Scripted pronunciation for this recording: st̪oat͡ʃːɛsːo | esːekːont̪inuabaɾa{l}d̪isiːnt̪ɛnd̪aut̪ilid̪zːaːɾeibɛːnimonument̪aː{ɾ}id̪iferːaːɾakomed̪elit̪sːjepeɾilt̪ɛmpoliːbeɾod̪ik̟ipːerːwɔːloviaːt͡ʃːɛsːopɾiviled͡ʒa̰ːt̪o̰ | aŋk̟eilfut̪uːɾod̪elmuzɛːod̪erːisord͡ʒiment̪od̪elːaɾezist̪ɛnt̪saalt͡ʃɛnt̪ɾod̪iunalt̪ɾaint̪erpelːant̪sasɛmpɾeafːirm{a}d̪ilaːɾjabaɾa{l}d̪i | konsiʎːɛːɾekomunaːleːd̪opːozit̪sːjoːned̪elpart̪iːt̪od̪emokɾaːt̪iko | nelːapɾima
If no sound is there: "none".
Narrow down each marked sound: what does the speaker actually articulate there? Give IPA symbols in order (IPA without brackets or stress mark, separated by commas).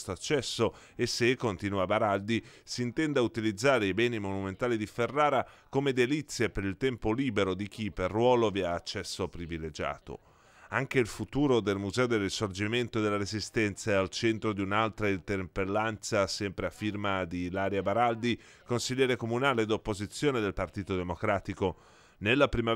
l, l, a, l